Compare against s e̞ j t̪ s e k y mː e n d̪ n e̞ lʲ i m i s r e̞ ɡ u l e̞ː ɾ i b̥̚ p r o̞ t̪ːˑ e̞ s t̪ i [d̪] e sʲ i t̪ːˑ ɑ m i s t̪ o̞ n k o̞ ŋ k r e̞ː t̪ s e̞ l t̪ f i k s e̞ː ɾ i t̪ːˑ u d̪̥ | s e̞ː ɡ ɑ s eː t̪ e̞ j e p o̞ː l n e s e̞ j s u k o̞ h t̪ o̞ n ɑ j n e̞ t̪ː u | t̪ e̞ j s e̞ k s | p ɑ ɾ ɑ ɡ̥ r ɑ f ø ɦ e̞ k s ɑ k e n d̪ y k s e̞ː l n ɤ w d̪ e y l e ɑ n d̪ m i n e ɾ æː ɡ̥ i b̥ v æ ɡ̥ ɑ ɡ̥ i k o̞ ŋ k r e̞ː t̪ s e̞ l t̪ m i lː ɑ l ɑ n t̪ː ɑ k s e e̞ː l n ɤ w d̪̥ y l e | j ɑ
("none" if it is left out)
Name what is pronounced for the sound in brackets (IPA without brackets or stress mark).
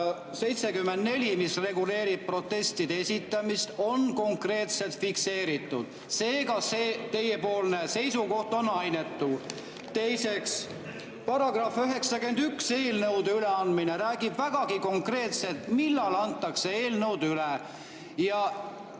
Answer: d̪